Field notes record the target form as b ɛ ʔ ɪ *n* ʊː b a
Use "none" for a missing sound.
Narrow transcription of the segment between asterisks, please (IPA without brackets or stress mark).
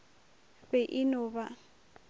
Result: n